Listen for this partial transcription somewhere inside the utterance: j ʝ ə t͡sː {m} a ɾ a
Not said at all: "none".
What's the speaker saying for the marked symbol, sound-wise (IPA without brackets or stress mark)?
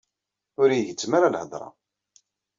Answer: m